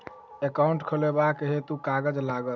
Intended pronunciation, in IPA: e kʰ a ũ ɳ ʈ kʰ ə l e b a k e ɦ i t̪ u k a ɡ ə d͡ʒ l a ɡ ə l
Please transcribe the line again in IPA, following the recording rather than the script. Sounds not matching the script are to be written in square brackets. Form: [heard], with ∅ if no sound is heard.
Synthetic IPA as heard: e [k] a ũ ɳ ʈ kʰ ə l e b a k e ɦ [e] t̪ u k a ɡ ə d͡ʒ l a ɡ ə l